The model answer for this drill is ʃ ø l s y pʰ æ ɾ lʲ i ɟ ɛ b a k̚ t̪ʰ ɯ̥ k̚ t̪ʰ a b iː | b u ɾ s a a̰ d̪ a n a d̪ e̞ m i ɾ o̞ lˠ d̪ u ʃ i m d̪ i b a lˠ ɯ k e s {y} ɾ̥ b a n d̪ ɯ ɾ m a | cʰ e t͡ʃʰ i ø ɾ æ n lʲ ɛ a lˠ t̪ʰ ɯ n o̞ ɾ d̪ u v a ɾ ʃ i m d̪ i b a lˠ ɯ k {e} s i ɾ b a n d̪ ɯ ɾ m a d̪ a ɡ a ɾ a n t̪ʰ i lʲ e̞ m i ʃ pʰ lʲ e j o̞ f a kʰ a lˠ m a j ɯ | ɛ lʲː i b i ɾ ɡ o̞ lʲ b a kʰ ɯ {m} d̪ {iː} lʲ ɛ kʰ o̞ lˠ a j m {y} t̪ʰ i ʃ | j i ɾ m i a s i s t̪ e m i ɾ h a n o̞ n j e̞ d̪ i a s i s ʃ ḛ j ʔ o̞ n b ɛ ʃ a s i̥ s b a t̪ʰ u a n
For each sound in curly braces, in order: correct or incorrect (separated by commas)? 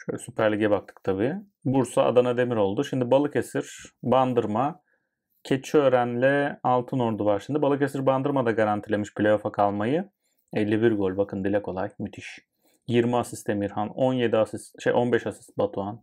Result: incorrect, correct, incorrect, incorrect, correct